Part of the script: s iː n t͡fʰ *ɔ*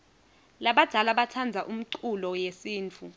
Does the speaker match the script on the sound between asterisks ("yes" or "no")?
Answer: no